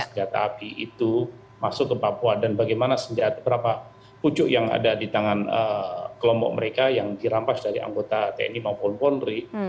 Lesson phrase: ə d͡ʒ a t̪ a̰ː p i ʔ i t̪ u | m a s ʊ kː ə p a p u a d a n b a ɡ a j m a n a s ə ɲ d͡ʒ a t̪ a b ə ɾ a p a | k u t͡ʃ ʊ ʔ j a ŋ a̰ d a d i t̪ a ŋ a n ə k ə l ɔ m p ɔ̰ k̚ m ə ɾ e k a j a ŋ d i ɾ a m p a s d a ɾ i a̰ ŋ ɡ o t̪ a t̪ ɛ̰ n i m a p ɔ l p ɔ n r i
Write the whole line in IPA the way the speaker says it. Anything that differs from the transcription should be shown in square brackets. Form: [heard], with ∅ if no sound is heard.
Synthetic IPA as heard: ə d͡ʒ a t̪ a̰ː p i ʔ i t̪ u | m a s ʊ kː ə p a p u a d a n b a ɡ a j m a n a s ə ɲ d͡ʒ a t̪ a b ə ɾ a p a | [p] u t͡ʃ ʊ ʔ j a ŋ a̰ d a d i t̪ a ŋ a n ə k ə l ɔ m p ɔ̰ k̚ m ə ɾ e k a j a ŋ d i ɾ a m p a s d a ɾ i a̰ ŋ ɡ o t̪ a t̪ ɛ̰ n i m a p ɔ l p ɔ n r i